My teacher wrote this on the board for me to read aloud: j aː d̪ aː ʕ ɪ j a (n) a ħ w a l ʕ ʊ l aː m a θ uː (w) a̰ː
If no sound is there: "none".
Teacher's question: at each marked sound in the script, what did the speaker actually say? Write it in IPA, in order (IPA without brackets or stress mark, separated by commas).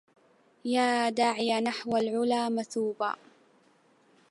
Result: n, b